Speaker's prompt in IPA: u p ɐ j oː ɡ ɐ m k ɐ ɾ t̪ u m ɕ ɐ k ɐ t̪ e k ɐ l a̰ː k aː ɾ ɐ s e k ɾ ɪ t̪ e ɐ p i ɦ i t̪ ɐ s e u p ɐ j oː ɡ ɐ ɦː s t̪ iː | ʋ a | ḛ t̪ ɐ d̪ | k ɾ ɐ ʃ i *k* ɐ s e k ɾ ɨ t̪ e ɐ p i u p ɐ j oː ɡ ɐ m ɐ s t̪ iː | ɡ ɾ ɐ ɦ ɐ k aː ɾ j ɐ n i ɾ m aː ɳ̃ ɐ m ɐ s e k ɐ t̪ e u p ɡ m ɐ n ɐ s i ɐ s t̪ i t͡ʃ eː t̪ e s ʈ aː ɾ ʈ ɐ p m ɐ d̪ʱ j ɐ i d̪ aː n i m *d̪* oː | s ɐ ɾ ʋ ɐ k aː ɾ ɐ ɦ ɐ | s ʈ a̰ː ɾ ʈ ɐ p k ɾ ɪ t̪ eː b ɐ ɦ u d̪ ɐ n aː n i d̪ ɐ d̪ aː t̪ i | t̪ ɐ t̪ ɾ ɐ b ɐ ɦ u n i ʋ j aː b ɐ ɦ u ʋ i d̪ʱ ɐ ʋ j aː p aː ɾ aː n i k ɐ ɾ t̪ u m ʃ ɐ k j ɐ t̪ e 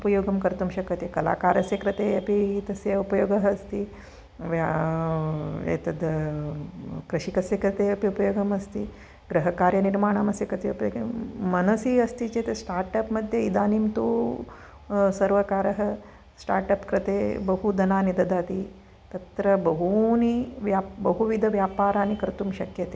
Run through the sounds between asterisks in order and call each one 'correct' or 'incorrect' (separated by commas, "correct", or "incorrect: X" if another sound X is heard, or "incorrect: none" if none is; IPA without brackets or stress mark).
correct, incorrect: t̪